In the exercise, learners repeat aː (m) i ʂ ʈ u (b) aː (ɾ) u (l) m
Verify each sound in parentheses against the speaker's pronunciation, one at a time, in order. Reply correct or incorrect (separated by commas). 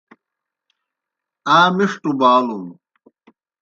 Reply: correct, correct, incorrect, incorrect